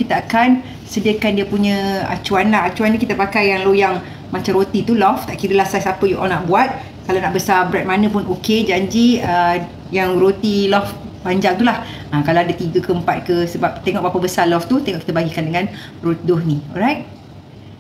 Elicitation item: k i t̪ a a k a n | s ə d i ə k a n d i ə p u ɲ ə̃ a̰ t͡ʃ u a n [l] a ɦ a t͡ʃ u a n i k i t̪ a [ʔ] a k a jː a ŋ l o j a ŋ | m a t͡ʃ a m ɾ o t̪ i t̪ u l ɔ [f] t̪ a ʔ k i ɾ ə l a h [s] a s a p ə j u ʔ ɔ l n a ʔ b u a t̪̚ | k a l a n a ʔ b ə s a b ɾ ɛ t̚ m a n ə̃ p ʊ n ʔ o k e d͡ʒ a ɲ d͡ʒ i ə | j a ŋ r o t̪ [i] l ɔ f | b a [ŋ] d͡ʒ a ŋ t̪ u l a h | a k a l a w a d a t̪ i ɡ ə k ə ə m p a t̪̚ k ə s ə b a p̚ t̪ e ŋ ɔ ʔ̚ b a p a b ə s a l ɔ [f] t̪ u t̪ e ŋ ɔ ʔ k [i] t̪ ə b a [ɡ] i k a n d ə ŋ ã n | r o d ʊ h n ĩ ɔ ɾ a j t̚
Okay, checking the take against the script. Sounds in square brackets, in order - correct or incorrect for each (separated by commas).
correct, incorrect, correct, correct, correct, incorrect, correct, correct, correct